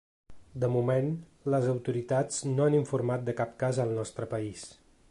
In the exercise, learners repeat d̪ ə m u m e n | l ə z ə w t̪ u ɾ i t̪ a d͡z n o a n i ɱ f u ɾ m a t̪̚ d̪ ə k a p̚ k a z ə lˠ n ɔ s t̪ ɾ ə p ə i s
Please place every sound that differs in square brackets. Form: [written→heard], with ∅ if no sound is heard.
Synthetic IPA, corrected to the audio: d̪ ə m u m e n | l ə z ə w t̪ u ɾ i t̪ a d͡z n o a n i ɱ f u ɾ m a t̪̚ d̪ ə k a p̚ k a z ə lˠ n ɔ s t̪ ɾ ə p ə i s